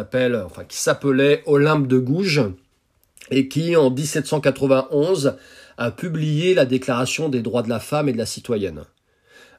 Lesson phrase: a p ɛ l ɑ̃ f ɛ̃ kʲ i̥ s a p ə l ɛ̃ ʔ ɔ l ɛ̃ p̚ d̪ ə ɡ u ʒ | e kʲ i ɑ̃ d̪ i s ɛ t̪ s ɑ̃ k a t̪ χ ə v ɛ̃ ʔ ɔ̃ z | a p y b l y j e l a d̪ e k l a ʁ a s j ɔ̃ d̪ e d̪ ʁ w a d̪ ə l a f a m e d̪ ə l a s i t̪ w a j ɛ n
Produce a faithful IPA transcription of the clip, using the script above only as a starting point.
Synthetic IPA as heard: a p ɛ l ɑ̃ f ɛ̃ kʲ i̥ s a p ə l ɛ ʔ ɔ l ɛ̃ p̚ d̪ ə ɡ u ʒ | e kʲ i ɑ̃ d̪ i s ɛ t̪ s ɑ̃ k a t̪ χ ə v ɛ̃ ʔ ɔ̃ z | a p y b l i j e l a d̪ e k l a ʁ a s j ɔ̃ d̪ e d̪ ʁ w a d̪ ə l a f a m e d̪ ə l a s i t̪ w a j ɛ n